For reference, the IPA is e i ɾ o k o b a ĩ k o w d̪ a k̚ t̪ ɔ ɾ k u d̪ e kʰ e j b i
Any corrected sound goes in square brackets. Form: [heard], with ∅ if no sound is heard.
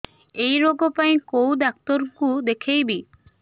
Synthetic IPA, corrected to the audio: e [j] ɾ o [ɡ] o [p] a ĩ k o w d̪ a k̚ t̪ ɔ ɾ k u d̪ e kʰ e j b i